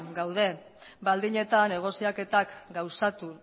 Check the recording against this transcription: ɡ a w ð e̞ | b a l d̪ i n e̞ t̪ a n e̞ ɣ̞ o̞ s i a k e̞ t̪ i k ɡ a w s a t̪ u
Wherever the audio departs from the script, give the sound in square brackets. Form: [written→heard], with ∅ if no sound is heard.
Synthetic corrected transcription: ɡ a w ð e̞ | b a l d̪ i [n→ɲ] e̞ t̪ a n e̞ ɣ̞ o̞ s i a k e̞ t̪ [i→a] k ɡ a w s a t̪ u